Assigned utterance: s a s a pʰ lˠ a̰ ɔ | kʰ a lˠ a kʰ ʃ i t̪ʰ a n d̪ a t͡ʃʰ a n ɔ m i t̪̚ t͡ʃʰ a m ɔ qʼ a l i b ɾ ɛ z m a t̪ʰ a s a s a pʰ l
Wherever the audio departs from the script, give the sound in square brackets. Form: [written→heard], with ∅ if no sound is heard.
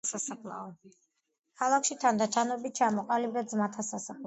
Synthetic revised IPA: s a s a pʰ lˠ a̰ ɔ | kʰ a lˠ a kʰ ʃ i t̪ʰ a n d̪ a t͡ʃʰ a n ɔ [m→b] i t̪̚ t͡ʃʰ a m ɔ qʼ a l i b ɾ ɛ z m a t̪ʰ a s a s a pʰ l